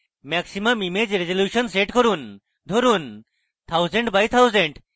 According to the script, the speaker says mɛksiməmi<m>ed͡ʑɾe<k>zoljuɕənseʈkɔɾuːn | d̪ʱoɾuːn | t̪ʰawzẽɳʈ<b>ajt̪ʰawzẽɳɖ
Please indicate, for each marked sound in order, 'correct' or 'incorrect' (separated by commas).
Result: correct, incorrect, correct